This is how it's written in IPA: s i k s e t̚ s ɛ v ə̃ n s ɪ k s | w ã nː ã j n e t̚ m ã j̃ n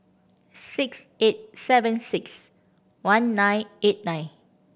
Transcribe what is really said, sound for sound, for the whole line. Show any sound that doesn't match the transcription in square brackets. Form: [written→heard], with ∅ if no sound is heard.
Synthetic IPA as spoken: s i k s e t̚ s ɛ v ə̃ n s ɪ k s | w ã nː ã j n e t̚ [m→n] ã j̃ n